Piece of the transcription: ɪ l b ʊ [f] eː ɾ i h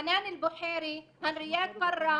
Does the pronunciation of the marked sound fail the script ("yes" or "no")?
yes